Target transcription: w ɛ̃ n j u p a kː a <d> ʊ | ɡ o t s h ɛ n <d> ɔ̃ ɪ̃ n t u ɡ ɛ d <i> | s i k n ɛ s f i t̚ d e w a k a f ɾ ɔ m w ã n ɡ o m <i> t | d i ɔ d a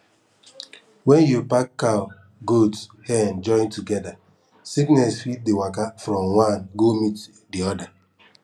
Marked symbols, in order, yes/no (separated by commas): no, no, no, yes